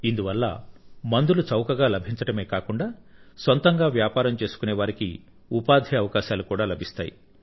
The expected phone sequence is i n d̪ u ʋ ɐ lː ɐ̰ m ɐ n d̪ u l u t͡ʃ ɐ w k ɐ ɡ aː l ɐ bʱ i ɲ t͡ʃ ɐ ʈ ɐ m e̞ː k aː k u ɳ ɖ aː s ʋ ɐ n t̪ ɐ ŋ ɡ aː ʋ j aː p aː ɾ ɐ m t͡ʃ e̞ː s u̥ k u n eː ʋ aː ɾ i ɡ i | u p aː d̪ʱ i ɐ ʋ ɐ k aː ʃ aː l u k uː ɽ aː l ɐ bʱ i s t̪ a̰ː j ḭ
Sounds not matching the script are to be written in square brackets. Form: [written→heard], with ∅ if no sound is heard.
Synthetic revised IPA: i n d̪ u ʋ ɐ lː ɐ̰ m ɐ n d̪ u l u t͡ʃ ɐ w k ɐ ɡ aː l ɐ bʱ i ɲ t͡ʃ ɐ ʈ ɐ m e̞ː k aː k u ɳ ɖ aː s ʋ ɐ n t̪ ɐ ŋ ɡ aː ʋ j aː p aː ɾ ɐ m t͡ʃ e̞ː s u̥ k u n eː ʋ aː ɾ i [ɡ→k] i | u p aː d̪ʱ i ɐ ʋ ɐ k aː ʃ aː l u k uː ɽ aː l ɐ bʱ i s t̪ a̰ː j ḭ